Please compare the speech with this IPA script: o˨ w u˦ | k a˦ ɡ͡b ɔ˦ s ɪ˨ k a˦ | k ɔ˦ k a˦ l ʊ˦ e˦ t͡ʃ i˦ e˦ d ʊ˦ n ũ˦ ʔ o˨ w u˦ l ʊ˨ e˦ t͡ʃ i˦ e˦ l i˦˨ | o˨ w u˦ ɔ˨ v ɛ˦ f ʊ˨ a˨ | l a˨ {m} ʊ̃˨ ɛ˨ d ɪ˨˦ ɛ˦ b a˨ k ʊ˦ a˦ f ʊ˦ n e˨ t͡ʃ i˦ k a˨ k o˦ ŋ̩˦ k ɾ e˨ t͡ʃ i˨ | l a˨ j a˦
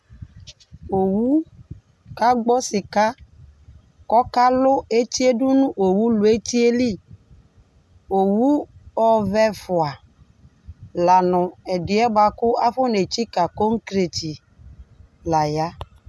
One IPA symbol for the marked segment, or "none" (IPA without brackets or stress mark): n